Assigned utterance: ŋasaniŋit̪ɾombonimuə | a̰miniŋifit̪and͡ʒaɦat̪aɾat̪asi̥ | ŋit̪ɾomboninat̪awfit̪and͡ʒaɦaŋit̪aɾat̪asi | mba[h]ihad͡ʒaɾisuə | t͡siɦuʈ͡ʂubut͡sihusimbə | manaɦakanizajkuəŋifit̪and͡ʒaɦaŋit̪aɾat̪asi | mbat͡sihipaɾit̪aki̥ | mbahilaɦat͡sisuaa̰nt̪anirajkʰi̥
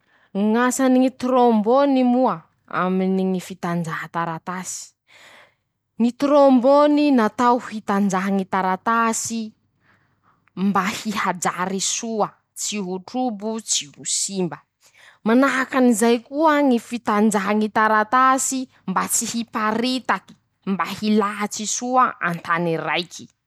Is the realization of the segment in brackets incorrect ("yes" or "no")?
no